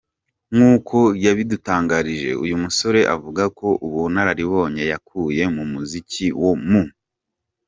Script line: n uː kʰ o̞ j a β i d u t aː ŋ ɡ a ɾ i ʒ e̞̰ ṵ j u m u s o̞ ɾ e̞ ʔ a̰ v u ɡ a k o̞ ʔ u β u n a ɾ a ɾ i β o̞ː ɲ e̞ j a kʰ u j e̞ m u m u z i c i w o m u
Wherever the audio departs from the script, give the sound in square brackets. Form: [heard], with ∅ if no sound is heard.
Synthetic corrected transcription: [ŋ] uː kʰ o̞ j a β i d u t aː ŋ ɡ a ɾ i ʒ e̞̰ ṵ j u m u s o̞ ɾ e̞ ʔ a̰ v u ɡ a k o̞ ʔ u β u n a ɾ a ɾ i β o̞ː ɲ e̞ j a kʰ u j e̞ m u m u z i c i w o m u